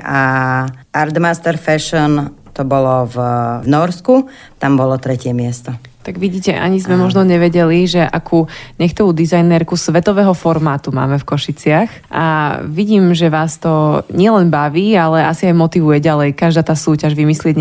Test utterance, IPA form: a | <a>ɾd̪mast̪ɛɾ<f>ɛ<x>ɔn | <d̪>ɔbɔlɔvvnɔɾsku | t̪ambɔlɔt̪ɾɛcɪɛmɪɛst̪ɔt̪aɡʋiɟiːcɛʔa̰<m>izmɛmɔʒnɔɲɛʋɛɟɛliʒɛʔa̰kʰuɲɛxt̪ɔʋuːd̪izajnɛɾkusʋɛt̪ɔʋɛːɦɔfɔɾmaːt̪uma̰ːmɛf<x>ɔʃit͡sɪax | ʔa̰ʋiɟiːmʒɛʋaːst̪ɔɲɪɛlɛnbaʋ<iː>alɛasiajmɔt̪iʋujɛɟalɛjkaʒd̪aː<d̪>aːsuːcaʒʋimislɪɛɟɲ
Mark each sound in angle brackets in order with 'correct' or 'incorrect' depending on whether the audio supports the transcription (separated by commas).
correct, correct, incorrect, incorrect, incorrect, incorrect, correct, incorrect